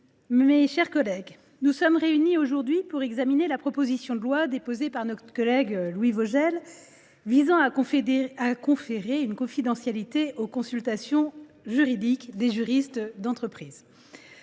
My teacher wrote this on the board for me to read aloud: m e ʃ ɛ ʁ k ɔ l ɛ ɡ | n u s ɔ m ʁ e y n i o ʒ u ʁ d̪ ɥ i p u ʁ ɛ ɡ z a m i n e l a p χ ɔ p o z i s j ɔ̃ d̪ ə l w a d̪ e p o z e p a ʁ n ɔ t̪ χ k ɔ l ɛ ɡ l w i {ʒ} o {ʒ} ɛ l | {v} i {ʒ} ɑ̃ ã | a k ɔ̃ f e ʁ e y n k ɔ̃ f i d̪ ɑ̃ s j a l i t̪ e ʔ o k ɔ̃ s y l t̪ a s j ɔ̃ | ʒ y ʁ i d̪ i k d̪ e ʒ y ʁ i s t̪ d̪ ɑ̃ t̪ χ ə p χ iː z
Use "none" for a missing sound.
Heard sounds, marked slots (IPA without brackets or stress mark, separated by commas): v, ʒ, v, z